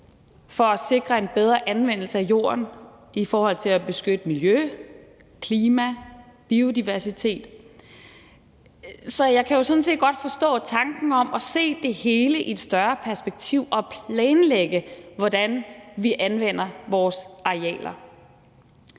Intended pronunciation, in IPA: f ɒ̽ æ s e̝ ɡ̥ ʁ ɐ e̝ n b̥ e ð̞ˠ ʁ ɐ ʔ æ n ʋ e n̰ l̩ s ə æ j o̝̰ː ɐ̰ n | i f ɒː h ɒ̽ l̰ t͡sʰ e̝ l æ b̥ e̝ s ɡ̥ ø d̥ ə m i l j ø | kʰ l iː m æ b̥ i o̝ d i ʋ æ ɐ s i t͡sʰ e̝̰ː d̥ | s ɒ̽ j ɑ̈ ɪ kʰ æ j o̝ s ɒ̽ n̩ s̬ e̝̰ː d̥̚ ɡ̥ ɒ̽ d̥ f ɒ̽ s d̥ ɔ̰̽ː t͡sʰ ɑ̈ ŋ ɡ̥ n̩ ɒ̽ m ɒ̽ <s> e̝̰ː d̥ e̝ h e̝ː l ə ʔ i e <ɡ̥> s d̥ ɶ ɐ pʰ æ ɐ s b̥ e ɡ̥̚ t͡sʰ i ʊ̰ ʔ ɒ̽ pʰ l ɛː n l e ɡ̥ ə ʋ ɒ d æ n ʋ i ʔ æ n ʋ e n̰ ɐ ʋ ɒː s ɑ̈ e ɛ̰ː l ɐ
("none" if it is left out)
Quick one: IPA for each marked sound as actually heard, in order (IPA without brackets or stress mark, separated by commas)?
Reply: s, d̥